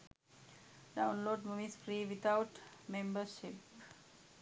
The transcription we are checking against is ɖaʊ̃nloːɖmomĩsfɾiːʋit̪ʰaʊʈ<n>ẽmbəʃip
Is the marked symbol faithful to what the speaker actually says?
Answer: no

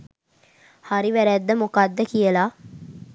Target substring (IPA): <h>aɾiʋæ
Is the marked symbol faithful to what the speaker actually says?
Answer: yes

